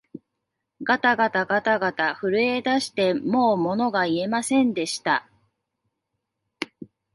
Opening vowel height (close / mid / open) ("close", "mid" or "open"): open